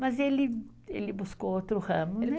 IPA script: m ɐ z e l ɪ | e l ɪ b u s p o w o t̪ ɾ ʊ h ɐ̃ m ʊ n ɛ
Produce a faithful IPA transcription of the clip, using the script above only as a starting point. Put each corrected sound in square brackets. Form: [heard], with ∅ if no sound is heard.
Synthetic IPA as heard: m ɐ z e l ɪ | e l ɪ b u s [k] o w o t̪ ɾ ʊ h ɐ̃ m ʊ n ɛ